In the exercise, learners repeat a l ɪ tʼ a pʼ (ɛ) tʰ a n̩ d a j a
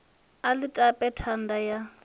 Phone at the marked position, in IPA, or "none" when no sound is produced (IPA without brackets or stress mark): ɛ